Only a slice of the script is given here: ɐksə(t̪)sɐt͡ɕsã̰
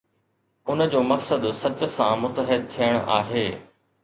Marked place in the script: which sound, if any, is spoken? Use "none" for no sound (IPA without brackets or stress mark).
d̪